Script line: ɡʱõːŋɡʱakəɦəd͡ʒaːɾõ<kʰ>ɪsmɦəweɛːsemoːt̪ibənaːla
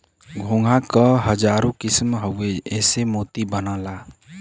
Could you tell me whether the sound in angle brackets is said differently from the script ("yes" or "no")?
yes